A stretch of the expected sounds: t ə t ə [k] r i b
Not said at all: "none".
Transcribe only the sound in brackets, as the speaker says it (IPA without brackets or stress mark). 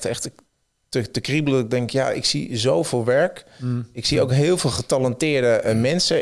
k